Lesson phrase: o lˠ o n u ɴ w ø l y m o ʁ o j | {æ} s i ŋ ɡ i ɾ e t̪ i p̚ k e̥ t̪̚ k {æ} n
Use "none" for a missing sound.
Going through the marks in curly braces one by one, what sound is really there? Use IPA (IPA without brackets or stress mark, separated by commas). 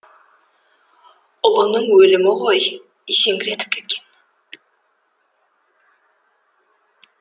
i, e